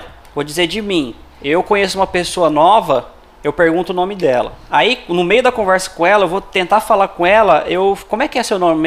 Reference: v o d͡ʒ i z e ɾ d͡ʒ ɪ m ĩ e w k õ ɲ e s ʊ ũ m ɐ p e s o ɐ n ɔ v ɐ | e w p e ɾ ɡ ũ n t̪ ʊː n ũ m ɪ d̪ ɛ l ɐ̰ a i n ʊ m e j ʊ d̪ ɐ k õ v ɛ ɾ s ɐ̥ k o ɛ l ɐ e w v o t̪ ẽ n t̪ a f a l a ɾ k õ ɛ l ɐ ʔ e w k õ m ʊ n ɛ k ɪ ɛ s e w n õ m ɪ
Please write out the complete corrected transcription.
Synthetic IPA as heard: v o d͡ʒ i z e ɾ d͡ʒ ɪ m ĩ e w k õ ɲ e s ʊ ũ m ɐ p e s o ɐ n ɔ v ɐ | e w p e ɾ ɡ ũ n t̪ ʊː n õ m ɪ d̪ ɛ l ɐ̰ a i n ʊ m e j ʊ d̪ ɐ k õ v ɛ ɾ s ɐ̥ k õ ɛ l ɐ e w v o t̪ ẽ n t̪ a f a l a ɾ k õ ɛ l ɐ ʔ e w k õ m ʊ ɛ k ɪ ɛ s e w n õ m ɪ